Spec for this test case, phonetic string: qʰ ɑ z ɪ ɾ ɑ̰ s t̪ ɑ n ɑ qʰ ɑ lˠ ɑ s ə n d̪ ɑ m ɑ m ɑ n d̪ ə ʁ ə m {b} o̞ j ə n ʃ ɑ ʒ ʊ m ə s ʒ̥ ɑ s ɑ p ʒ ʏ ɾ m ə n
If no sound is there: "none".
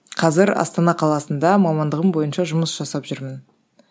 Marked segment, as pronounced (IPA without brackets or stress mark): b